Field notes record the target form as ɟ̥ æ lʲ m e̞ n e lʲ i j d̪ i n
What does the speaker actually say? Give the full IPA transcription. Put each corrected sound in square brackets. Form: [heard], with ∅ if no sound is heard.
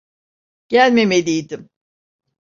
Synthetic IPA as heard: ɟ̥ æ lʲ m e̞ [m] e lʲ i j d̪ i [m]